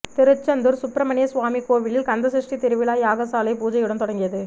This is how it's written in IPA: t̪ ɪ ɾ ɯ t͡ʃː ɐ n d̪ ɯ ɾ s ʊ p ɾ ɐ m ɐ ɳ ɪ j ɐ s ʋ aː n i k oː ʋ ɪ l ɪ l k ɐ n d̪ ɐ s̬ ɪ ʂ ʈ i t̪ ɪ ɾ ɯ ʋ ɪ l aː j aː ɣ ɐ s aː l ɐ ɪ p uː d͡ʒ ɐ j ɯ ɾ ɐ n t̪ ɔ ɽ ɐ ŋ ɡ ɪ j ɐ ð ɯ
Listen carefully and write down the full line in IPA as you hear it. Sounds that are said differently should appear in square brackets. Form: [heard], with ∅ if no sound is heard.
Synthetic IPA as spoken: t̪ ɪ ɾ ɯ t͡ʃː ɐ n d̪ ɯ ɾ s ʊ p ɾ ɐ m ɐ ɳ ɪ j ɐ s ʋ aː [m] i k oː ʋ ɪ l ɪ l k ɐ n d̪ ɐ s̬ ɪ ʂ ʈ i t̪ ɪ ɾ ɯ ʋ ɪ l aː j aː ɣ ɐ s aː l ɐ ɪ p uː d͡ʒ ɐ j ɯ [ɽ] ɐ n t̪ ɔ ɽ ɐ ŋ ɡ ɪ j ɐ ð ɯ